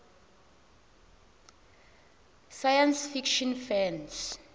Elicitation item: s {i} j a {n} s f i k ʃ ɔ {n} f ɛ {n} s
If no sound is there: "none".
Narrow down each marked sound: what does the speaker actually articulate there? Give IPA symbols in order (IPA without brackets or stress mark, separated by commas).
a, n, n, n